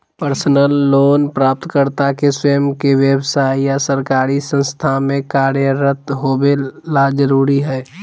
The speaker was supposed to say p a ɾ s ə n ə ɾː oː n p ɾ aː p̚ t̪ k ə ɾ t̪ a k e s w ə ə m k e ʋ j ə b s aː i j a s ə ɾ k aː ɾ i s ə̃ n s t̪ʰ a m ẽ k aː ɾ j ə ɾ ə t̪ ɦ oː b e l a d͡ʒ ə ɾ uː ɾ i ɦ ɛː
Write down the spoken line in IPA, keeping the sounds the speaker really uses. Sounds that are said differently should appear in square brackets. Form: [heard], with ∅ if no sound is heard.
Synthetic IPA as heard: p [ə] ɾ s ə n ə [lː] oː n p ɾ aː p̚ t̪ k ə ɾ t̪ a k e s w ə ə m k e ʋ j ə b s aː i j a s ə ɾ k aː ɾ i s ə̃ n s t̪ʰ a m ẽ k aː ɾ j ə ɾ ə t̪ ɦ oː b e l a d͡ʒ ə ɾ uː ɾ i ɦ ɛː